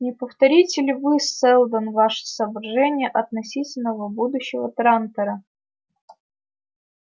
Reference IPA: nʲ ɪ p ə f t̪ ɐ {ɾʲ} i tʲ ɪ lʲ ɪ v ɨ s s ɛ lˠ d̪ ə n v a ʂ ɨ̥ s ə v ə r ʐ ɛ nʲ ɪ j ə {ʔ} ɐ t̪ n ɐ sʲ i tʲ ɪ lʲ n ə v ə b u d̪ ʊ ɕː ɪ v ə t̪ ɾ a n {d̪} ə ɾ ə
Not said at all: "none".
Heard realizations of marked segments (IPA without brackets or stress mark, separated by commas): ɾʲ, ʔ, t̪